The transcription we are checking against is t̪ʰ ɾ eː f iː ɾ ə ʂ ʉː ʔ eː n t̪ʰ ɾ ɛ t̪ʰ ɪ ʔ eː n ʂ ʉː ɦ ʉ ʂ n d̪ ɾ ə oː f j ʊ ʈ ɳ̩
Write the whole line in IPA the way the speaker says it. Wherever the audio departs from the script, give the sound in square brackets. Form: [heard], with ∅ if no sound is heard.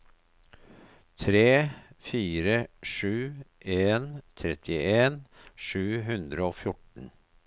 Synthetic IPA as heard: t̪ʰ ɾ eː f iː ɾ ə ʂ ʉː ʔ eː n t̪ʰ ɾ ɛ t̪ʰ ɪ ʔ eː n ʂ ʉː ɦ ʉ [∅] n d̪ ɾ ə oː f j ʊ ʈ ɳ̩